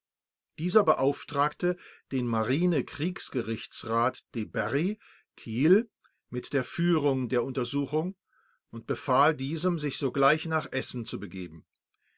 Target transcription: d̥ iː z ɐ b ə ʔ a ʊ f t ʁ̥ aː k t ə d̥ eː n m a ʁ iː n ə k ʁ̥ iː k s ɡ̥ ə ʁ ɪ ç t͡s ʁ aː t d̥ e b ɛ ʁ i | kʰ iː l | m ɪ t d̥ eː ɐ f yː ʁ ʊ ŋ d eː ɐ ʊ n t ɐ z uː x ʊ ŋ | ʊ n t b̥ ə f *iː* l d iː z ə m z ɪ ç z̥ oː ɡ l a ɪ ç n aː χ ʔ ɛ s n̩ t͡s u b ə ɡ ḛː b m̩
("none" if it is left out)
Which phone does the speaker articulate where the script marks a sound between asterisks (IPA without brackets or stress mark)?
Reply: aː